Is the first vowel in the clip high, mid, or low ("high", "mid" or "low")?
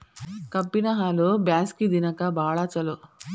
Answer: low